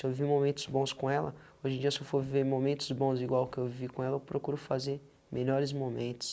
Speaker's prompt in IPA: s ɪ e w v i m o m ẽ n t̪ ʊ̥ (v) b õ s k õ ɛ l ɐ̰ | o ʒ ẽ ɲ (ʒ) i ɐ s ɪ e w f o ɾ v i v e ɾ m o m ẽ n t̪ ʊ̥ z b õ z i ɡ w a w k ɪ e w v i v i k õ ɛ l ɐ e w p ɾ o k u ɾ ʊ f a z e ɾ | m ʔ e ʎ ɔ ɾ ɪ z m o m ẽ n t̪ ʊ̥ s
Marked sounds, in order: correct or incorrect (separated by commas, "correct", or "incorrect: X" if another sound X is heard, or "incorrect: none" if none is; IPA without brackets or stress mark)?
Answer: incorrect: z, incorrect: d͡ʒ